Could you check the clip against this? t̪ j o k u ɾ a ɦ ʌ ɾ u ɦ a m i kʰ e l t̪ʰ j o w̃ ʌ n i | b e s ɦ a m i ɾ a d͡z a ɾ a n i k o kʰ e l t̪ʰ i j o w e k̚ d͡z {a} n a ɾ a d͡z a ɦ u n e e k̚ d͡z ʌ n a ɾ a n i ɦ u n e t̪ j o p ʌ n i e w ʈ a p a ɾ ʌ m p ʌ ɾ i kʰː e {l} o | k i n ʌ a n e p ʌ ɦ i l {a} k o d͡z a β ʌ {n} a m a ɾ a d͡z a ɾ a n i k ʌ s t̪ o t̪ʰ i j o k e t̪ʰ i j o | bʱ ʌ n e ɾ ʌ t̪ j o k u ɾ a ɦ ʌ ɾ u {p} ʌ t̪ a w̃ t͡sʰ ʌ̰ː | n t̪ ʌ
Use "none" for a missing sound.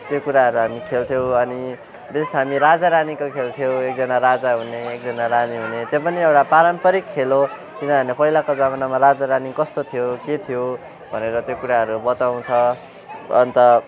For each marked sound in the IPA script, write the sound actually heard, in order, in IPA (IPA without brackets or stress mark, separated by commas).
ʌ, l, a, n, b